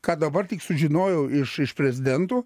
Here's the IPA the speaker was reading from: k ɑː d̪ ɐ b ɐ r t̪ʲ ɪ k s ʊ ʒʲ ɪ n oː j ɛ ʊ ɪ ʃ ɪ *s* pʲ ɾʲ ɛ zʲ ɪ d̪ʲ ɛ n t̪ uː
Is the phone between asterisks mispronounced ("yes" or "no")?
yes